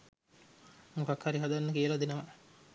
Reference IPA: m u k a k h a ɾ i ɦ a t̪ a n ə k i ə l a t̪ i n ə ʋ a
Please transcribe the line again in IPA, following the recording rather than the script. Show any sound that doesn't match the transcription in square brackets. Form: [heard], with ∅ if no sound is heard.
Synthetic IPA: m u k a k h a ɾ i ɦ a [d̪] a [nː] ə k i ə l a [d̪] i n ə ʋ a